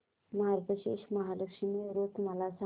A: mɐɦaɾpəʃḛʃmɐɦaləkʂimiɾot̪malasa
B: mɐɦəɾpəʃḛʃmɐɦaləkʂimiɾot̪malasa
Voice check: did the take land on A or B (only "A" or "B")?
A